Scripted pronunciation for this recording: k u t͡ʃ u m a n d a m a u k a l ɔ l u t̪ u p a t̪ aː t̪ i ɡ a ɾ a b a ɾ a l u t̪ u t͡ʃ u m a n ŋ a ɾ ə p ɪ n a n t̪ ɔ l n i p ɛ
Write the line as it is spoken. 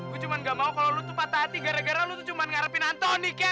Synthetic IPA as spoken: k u t͡ʃ u m a n ɡ a m a u k a l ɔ l u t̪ u p a t̪ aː t̪ i ɡ a ɾ a ɡ a ɾ a l u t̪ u t͡ʃ u m a n ŋ a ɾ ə p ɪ n a n t̪ ɔ n i k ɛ